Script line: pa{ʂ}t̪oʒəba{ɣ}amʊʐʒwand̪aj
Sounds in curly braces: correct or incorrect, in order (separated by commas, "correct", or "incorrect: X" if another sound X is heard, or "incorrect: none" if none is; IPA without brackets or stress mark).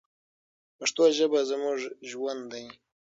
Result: correct, incorrect: z